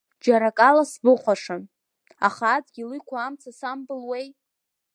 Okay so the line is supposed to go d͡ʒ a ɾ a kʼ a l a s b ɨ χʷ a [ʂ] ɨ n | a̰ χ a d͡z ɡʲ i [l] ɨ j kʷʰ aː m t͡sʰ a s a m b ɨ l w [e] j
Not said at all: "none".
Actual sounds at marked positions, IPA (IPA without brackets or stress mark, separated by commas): ʂ, l, e